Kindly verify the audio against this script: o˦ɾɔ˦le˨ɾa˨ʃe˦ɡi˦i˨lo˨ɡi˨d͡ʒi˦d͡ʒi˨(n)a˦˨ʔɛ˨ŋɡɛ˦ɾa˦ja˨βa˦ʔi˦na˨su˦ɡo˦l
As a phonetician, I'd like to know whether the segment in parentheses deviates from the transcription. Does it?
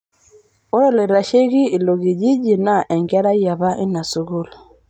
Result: no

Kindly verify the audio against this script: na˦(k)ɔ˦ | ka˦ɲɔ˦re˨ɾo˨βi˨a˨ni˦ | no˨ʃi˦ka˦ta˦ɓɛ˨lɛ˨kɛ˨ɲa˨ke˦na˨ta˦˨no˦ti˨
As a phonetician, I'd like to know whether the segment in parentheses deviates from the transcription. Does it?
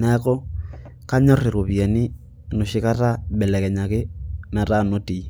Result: no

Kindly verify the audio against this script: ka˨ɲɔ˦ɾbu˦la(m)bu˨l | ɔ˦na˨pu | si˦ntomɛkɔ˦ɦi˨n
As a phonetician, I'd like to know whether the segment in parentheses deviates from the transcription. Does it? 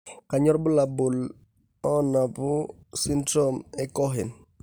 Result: yes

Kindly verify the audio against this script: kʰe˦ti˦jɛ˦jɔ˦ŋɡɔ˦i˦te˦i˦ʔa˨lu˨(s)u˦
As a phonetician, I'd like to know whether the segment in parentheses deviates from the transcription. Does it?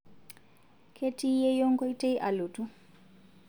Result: yes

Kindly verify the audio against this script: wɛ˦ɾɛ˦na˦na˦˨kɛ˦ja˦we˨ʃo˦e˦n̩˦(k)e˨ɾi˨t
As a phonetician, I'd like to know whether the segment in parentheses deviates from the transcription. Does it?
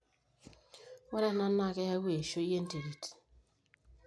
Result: yes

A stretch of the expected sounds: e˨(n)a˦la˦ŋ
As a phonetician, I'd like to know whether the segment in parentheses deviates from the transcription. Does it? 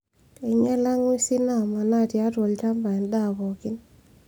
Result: yes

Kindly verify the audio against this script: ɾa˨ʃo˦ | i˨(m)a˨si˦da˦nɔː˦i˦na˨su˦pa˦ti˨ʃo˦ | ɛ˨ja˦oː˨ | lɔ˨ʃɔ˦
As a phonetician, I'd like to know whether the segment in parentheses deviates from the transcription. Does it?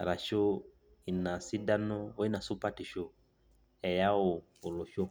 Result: yes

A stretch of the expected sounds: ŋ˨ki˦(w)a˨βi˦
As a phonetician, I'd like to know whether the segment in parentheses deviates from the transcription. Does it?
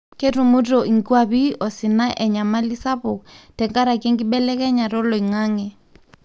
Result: no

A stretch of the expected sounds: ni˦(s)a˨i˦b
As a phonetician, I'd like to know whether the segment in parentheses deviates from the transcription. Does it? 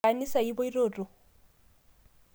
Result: no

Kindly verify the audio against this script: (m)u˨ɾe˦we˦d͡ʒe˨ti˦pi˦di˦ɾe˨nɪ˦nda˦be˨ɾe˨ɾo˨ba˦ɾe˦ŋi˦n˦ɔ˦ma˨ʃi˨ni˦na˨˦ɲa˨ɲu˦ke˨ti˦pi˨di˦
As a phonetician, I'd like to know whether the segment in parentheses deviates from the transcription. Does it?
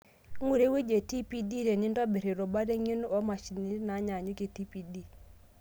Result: yes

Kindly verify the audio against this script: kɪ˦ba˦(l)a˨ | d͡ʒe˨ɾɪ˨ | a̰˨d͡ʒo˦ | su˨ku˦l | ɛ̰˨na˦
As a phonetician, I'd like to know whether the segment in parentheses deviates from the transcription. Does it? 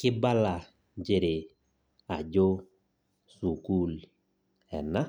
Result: no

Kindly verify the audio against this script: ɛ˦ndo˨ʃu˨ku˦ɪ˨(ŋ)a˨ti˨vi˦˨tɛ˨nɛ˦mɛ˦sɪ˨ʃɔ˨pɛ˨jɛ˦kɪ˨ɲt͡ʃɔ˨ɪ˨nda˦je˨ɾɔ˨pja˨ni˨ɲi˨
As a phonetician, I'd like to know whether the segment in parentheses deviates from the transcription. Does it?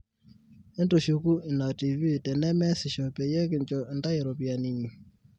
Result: yes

